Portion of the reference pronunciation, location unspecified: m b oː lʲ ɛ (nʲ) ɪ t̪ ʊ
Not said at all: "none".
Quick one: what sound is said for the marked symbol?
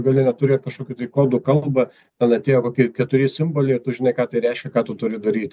none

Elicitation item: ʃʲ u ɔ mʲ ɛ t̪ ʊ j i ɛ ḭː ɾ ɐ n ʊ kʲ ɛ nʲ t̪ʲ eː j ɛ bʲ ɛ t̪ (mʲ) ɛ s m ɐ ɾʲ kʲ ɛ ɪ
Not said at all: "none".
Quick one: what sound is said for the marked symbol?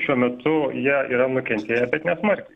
nʲ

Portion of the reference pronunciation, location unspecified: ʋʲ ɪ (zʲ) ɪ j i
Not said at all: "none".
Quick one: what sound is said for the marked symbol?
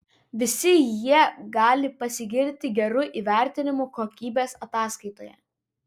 sʲ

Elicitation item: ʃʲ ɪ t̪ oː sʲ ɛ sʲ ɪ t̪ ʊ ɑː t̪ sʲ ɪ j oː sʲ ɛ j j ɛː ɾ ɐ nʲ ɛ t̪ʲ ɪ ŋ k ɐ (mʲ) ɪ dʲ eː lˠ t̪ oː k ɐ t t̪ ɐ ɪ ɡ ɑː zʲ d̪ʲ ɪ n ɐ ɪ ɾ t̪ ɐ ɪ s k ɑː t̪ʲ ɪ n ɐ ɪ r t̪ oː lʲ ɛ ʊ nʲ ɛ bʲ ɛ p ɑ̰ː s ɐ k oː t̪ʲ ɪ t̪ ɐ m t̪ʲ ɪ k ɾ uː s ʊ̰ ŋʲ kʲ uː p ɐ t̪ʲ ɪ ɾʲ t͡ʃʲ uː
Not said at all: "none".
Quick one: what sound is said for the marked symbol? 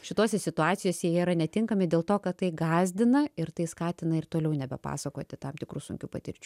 mʲ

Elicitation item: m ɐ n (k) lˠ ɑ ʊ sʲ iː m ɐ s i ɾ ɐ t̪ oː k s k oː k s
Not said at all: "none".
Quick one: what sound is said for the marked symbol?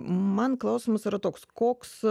k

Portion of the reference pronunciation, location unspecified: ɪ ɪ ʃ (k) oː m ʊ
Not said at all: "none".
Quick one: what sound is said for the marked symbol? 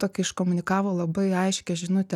k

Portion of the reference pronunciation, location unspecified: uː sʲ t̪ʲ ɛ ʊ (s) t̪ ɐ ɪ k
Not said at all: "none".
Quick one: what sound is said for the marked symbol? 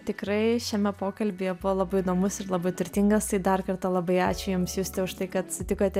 ʃ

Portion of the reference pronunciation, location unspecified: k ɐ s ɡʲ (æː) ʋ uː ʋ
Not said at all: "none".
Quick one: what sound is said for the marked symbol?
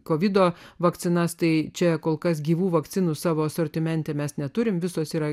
iː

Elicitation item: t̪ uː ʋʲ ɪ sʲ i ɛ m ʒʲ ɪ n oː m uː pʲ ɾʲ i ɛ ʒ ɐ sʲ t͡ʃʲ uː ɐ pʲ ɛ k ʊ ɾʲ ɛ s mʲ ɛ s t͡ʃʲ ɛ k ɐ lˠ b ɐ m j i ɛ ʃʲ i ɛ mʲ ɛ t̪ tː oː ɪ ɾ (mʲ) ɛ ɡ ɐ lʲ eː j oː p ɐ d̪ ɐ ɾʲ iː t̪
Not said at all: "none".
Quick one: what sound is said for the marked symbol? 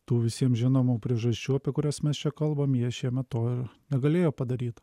nʲ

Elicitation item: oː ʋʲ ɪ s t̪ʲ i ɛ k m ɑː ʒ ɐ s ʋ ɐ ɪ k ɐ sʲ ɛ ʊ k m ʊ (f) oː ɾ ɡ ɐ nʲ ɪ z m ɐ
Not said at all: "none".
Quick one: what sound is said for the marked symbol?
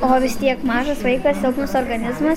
s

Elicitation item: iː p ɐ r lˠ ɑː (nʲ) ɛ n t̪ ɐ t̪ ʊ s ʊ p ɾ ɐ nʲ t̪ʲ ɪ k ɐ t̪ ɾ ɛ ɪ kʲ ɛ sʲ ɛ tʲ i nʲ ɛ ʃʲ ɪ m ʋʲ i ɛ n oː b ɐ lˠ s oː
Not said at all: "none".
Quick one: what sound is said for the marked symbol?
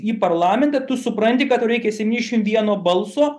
mʲ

